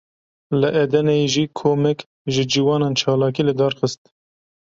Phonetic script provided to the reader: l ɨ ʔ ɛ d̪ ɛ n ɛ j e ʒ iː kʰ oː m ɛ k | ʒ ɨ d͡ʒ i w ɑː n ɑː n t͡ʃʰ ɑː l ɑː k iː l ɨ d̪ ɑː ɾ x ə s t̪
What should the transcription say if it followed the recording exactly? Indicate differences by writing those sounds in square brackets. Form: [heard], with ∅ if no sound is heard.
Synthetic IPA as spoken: l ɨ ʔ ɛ d̪ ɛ n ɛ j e ʒ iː kʰ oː m ɛ k | ʒ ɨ d͡ʒ i w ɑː n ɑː n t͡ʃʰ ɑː l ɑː k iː l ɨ d̪ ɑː ɾ x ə s t̪